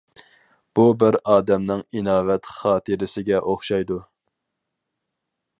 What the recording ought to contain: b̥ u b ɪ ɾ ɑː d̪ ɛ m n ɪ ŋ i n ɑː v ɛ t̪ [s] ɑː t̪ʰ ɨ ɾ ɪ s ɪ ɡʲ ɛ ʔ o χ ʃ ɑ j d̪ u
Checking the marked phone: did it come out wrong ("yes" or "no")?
yes